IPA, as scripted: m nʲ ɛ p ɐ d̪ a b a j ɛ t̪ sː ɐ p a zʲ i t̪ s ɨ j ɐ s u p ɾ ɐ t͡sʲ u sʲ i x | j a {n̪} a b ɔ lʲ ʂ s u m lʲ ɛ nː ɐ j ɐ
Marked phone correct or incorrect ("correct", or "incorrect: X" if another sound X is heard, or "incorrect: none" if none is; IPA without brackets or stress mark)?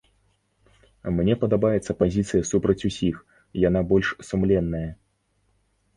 correct